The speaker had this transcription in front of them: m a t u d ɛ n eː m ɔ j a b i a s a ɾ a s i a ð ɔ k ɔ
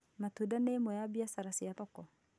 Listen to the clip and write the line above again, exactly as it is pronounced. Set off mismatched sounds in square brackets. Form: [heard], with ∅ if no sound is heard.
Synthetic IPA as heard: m a t u d [a] n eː m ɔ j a b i a s a ɾ a s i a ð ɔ k ɔ